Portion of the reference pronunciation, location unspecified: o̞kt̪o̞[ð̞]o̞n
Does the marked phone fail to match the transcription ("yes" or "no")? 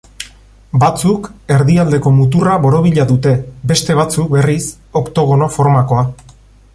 yes